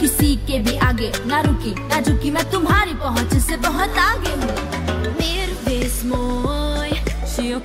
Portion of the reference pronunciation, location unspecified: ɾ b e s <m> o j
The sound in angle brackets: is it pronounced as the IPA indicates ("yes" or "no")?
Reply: yes